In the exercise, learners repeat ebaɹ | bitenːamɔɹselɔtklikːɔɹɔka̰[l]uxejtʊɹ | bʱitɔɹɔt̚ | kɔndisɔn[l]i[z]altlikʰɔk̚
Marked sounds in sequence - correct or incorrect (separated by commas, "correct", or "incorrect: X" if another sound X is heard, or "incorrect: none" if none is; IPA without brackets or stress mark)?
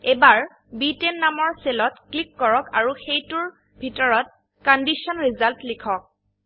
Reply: incorrect: ɹ, incorrect: ɹ, correct